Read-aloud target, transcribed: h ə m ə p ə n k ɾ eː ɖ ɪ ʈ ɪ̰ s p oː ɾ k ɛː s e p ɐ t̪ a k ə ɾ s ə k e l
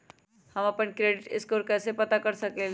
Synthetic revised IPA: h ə m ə p ə n k ɾ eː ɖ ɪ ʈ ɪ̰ s k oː ɾ k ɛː s e p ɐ t̪ a k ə ɾ s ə k e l